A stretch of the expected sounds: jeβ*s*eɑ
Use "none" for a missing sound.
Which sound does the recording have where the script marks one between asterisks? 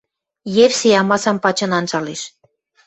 s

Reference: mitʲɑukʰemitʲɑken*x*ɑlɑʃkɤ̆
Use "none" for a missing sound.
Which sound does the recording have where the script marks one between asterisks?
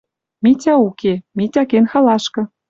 x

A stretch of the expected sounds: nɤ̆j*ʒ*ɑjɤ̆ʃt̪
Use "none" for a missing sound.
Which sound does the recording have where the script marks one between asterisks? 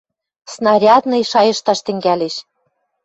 ʃ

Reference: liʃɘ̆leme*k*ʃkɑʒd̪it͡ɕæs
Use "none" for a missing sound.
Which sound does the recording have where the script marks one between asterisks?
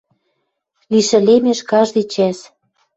none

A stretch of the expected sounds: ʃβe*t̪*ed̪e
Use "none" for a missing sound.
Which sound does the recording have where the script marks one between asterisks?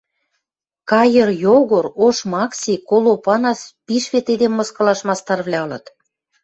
t̪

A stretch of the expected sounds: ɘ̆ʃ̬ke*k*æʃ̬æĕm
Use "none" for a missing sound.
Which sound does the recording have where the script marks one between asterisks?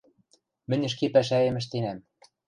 p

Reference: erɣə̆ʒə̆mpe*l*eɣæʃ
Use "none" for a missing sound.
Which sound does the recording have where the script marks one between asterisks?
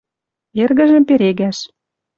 ɾ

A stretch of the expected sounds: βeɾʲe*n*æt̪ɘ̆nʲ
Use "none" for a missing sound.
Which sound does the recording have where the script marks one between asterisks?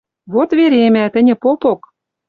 m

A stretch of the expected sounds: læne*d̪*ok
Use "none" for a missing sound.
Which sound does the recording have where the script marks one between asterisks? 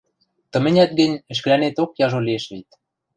t̪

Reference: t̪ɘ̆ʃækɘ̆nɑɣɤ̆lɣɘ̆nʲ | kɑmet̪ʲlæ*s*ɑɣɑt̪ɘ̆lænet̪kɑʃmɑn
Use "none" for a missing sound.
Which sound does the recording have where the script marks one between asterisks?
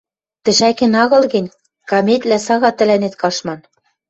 s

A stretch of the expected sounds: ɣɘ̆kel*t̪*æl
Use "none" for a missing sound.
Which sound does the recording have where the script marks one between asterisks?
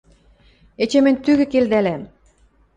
d̪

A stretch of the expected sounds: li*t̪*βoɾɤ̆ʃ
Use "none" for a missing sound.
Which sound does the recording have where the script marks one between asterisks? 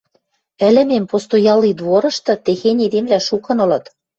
d̪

